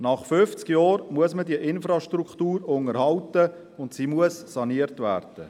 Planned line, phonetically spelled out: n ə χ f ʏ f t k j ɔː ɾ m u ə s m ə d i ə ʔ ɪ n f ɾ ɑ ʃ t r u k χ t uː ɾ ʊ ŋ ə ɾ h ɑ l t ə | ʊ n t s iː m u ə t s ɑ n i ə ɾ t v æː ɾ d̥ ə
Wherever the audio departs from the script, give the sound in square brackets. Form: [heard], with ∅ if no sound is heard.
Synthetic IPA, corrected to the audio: n [ɑ] χ f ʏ f [t͡s] k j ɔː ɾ m u ə s m ə d i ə ʔ ɪ n f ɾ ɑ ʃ t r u k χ t uː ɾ ʊ ŋ ə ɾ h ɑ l t ə | ʊ n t s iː m u ə [s] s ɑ n i ə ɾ t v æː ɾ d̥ ə

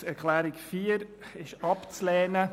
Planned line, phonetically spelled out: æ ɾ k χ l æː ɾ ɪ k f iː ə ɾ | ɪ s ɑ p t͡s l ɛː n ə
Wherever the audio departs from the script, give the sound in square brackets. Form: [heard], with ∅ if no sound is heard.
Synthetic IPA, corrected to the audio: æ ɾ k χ l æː ɾ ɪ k f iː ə ɾ | ɪ [ʃ] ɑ p t͡s l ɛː n ə

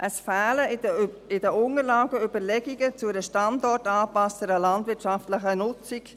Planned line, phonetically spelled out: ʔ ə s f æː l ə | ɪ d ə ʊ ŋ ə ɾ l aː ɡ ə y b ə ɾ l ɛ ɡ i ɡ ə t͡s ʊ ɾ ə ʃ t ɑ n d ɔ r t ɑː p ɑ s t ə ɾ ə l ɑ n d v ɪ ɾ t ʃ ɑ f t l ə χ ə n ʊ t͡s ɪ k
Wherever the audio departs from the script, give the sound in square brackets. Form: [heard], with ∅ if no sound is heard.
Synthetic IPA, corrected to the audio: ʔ ə s f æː l ə | ɪ d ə ʊ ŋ ə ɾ l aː ɡ ə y b ə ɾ l ɛ ɡ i ɡ ə t͡s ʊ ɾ ə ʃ t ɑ n d ɔ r t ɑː p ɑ s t ə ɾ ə l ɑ n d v ɪ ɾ t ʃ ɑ f t l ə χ ə n ʊ t͡s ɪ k

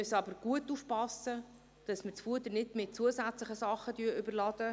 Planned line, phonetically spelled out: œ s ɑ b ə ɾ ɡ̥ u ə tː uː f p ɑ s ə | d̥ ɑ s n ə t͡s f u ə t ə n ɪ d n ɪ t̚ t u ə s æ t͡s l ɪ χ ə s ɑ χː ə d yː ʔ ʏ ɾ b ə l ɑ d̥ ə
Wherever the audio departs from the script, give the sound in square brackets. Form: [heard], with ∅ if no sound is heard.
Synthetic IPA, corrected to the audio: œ s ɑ b ə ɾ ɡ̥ u ə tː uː f p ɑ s ə | d̥ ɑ s [m] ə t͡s f u ə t ə n ɪ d [m] ɪ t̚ [t͡s] u ə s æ t͡s l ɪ χ ə s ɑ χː ə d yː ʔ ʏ [∅] b ə l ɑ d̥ ə

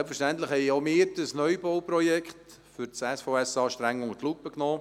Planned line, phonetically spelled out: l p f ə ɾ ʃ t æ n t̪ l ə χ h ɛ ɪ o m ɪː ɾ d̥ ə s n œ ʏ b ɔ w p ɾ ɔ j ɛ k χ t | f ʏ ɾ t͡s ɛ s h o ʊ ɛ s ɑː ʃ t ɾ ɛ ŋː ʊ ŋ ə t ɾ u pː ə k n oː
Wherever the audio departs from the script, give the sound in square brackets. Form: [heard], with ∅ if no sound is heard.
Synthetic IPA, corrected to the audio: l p f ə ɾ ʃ t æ n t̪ l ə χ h ɛ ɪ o m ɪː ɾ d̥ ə s n œ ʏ b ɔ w p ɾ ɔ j ɛ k χ t | f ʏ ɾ t͡s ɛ s [f] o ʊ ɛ s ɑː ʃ t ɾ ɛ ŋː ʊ ŋ ə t [l] u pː ə k n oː

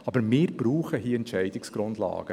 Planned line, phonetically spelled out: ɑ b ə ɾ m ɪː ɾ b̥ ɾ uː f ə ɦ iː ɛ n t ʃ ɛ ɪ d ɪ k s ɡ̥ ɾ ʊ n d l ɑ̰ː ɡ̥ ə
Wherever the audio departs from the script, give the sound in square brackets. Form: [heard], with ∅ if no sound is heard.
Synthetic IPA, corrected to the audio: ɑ b ə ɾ m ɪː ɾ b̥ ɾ uː [χ] ə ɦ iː ɛ n t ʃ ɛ ɪ d ɪ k s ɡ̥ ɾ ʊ n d l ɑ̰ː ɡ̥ ə

